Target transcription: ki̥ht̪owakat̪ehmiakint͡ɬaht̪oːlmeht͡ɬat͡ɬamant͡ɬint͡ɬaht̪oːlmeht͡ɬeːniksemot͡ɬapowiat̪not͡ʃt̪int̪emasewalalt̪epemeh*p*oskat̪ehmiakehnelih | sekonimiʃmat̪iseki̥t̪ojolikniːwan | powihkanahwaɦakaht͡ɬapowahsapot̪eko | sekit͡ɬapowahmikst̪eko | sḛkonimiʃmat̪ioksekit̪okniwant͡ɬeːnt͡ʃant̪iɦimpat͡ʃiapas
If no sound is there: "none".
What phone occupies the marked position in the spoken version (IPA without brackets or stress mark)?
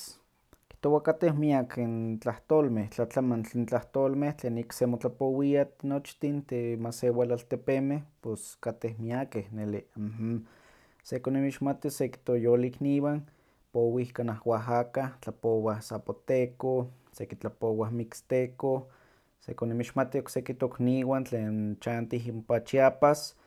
p